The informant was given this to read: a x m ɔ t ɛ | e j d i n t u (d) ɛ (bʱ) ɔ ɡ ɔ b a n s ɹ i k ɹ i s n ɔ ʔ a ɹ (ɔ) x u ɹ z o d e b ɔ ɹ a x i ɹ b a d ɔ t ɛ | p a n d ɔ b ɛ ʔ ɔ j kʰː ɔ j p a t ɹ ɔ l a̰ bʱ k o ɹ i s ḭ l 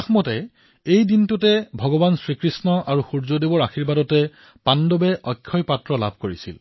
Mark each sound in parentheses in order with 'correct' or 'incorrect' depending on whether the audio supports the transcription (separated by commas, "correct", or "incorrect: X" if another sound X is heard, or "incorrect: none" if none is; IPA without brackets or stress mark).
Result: incorrect: t, correct, incorrect: u